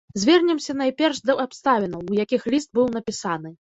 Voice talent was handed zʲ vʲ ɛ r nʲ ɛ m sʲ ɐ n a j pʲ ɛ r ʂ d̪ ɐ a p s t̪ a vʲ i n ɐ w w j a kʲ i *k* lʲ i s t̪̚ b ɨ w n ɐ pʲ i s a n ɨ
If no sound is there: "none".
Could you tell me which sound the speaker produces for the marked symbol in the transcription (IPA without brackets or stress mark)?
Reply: x